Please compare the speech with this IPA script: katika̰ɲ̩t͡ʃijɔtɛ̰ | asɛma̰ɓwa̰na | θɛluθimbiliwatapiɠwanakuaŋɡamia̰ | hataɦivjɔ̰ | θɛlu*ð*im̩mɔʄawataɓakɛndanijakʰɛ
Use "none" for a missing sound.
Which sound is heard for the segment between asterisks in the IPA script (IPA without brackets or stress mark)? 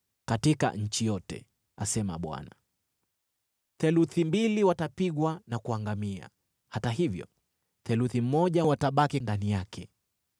θ